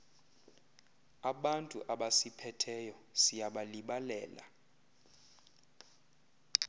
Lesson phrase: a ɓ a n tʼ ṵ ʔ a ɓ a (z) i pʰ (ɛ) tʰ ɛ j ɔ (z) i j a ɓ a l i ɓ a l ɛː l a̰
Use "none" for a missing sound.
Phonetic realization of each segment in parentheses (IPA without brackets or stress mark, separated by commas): s, ɛ, s